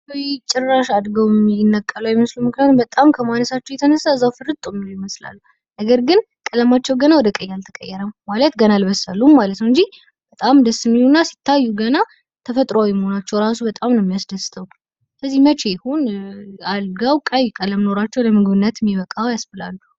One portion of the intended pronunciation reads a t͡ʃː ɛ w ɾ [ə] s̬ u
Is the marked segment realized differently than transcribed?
yes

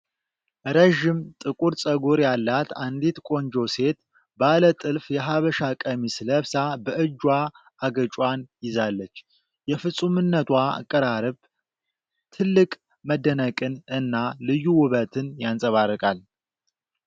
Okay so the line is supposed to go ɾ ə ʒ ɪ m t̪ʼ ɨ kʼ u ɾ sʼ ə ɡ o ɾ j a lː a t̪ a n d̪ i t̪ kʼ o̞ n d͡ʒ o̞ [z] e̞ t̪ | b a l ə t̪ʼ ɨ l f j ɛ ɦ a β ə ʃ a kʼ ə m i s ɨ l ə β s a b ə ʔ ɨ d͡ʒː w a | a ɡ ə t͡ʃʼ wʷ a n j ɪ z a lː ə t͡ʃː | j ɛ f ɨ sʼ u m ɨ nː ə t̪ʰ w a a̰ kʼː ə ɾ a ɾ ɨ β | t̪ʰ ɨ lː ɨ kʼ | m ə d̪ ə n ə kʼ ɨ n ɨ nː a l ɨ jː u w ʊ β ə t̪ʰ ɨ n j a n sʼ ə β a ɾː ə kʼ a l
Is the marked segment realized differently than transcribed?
yes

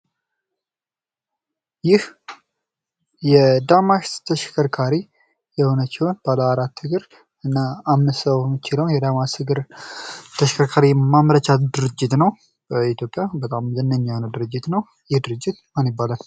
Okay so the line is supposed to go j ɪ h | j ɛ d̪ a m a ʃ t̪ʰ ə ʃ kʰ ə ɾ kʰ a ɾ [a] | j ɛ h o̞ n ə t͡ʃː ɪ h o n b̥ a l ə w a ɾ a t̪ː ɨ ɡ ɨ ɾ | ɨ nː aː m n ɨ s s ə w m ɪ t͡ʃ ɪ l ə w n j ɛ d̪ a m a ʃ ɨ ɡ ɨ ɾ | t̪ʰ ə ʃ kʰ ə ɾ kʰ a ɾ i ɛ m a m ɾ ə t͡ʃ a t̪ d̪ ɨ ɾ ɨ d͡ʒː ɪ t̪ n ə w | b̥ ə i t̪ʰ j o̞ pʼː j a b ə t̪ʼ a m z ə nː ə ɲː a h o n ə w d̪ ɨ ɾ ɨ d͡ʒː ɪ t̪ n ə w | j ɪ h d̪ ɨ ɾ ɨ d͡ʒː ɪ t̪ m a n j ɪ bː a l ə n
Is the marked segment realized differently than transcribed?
yes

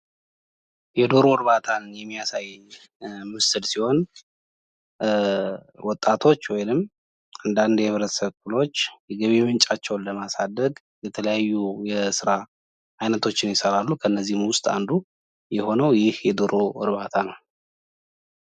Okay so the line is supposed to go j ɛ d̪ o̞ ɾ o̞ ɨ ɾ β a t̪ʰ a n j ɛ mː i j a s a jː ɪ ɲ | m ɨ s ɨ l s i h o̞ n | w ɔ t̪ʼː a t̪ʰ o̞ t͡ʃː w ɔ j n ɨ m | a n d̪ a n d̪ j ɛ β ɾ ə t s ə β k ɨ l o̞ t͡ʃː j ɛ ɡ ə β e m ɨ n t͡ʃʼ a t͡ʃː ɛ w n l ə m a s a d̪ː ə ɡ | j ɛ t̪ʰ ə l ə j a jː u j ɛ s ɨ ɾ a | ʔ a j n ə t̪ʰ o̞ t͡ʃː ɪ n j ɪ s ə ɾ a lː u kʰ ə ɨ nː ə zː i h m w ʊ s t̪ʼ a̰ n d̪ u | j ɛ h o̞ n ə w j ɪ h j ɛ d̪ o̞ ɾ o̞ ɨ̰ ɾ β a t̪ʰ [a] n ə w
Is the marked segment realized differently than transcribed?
no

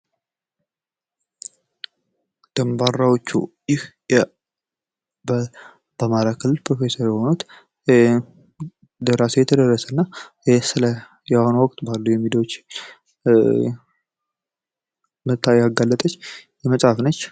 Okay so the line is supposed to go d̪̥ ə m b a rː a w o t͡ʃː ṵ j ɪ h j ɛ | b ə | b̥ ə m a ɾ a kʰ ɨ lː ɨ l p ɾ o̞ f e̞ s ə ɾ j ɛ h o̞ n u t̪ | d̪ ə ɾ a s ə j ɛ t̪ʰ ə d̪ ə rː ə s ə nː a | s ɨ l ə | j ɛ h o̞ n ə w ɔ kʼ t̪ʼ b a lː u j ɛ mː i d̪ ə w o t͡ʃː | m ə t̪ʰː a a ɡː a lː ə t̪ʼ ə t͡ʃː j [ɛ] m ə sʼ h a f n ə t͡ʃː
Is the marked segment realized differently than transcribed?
no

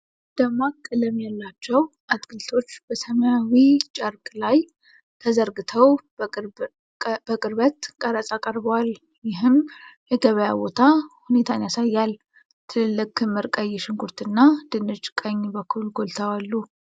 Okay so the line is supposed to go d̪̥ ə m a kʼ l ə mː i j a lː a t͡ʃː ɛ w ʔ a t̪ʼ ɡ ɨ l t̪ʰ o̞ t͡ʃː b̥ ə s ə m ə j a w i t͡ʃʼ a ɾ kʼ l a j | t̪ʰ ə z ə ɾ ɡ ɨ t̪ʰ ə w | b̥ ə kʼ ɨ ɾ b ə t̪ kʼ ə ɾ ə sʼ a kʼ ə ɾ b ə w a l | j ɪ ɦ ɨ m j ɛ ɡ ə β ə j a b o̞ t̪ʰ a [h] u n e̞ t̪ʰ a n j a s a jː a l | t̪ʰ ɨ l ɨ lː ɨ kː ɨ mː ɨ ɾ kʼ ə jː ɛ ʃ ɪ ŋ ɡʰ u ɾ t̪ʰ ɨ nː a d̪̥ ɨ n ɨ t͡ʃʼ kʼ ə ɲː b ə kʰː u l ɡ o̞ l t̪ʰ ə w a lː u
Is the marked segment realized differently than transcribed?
no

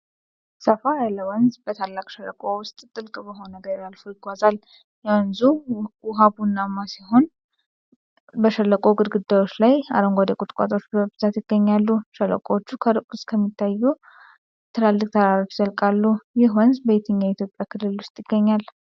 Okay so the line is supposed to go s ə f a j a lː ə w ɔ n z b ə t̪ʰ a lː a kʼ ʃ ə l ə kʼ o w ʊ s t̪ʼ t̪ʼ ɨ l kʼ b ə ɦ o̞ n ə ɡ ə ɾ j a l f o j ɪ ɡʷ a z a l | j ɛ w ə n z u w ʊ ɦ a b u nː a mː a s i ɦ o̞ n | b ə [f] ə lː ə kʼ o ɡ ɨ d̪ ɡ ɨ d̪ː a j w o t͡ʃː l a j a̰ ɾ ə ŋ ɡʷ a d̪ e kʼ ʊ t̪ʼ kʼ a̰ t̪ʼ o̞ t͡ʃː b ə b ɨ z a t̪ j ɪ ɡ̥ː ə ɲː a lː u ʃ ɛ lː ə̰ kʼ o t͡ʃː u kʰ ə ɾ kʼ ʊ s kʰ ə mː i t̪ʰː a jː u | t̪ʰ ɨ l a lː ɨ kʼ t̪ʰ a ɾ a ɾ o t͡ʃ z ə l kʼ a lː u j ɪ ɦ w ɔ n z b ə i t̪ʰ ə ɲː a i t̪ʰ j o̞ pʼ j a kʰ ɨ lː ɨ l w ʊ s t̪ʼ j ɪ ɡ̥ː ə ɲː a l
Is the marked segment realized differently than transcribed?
yes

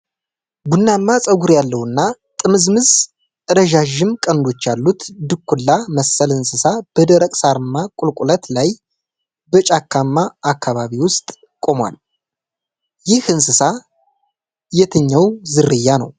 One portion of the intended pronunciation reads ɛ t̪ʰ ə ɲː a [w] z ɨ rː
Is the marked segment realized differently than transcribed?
no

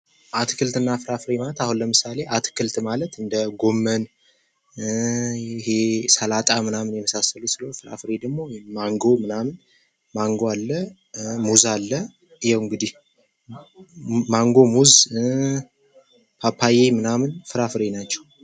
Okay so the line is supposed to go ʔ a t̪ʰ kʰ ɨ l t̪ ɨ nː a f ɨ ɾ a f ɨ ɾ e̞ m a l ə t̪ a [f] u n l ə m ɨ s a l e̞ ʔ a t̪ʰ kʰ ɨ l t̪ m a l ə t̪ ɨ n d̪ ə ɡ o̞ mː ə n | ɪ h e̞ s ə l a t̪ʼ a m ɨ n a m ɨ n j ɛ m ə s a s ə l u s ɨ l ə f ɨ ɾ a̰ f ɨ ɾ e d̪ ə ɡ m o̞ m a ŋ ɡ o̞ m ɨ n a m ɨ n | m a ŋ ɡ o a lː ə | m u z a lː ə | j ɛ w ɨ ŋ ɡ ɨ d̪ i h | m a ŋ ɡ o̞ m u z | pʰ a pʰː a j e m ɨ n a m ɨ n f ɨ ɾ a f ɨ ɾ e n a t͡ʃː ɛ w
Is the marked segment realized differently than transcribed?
yes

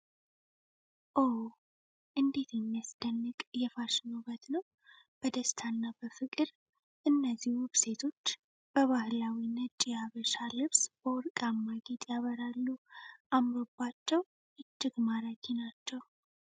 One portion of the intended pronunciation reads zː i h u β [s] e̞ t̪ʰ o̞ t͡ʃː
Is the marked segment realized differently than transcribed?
no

